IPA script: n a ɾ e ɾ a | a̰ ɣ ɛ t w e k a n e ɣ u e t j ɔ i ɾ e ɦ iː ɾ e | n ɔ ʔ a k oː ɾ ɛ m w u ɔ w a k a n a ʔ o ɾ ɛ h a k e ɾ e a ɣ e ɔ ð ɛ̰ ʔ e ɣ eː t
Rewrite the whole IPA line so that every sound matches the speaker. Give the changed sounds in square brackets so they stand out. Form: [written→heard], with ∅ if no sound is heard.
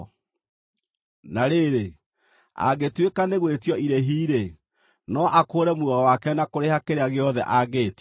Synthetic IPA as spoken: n a ɾ e ɾ [a→e] | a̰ ɣ [ɛ→e] t w e k a n e ɣ [u→w] e t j ɔ i ɾ e ɦ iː ɾ e | n ɔ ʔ a k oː ɾ ɛ m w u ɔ w a k [a→ɛ] n a [ʔ→k] o ɾ [ɛ→e] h a k e ɾ e a ɣ e ɔ ð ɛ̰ ʔ [e→a] ɣ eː t